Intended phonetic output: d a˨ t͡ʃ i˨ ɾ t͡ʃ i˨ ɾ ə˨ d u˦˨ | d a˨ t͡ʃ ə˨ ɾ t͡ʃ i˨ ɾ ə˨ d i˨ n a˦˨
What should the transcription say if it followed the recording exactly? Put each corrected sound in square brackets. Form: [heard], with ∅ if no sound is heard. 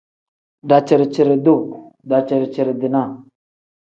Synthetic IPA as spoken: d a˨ t͡ʃ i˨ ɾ t͡ʃ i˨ ɾ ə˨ d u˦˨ | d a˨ t͡ʃ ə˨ ɾ t͡ʃ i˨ ɾ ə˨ d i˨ n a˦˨

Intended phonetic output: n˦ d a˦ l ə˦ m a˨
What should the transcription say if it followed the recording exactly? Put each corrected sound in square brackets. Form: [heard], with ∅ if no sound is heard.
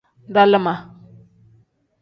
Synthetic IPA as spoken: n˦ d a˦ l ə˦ m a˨

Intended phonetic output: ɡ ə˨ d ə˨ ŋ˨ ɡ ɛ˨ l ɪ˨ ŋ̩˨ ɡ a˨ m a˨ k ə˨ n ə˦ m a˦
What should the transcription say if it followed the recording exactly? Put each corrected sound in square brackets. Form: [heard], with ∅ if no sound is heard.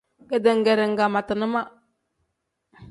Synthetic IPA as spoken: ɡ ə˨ d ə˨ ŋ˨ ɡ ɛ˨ [ɾ] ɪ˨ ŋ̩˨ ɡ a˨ m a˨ [t] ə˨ n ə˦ m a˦

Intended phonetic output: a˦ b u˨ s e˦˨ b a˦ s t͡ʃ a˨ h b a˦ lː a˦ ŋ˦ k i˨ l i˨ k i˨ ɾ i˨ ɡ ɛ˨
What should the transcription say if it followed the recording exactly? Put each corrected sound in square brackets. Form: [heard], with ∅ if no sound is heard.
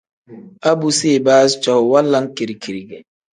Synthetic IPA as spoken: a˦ b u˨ s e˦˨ b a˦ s t͡ʃ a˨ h [w] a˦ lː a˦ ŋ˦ k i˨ [ɾ] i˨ k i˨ ɾ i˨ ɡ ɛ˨

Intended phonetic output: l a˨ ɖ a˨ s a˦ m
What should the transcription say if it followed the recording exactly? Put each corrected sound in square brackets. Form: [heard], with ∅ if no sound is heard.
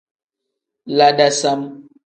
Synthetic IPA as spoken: l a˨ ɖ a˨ s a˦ m

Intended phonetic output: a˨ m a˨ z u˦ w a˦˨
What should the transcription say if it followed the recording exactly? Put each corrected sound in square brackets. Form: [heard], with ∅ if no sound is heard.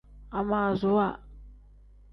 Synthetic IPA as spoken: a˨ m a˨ z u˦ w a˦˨

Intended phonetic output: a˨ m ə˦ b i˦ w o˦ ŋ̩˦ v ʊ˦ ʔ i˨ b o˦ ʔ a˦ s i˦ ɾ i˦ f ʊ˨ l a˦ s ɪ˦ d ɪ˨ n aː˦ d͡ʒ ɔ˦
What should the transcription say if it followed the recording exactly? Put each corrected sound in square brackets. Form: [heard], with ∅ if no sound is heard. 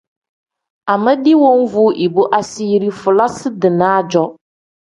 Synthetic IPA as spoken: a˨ m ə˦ [d] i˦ w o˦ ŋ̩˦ v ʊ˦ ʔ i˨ b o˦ ʔ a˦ s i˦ ɾ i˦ f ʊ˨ l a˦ s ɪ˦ d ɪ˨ n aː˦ d͡ʒ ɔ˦

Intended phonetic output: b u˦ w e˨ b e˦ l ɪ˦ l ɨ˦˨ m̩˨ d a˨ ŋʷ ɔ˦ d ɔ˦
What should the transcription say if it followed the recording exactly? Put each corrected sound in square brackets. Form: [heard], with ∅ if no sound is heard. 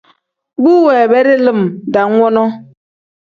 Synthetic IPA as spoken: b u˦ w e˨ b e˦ [ɾ] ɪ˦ l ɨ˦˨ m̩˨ d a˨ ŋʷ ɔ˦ [n] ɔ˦

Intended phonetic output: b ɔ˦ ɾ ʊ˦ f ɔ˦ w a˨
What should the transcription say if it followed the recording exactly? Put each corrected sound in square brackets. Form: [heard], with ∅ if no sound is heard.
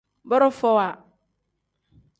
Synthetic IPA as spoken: b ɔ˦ ɾ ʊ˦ f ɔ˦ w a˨

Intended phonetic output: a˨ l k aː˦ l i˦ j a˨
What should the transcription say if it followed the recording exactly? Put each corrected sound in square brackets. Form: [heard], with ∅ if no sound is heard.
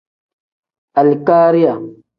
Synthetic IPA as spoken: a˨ l k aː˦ [ɾ] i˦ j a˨

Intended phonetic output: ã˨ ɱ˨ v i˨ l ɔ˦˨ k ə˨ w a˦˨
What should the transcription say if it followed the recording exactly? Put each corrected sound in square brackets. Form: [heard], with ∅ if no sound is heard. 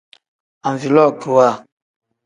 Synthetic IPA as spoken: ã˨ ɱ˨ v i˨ l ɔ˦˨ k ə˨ w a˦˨

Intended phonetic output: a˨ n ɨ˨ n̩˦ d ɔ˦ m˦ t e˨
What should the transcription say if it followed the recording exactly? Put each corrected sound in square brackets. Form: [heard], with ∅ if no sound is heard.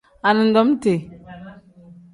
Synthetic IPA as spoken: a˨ n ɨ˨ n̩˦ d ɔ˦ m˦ t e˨

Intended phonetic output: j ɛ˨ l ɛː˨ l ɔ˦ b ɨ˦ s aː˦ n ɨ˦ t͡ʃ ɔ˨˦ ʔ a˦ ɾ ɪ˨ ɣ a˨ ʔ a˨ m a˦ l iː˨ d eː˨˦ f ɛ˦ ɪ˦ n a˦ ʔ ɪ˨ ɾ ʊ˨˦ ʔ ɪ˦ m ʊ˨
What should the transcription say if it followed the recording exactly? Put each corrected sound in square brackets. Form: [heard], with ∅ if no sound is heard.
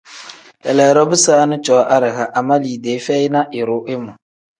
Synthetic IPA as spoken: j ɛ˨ l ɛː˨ [ɾ] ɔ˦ b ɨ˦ s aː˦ n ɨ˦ t͡ʃ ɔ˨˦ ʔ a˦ ɾ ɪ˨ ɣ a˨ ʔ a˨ m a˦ l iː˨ d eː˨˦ f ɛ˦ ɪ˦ n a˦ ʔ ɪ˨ ɾ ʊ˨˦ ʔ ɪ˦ m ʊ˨

